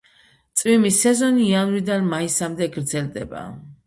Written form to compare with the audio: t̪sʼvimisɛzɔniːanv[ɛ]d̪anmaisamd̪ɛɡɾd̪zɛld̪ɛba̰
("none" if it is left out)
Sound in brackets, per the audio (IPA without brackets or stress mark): i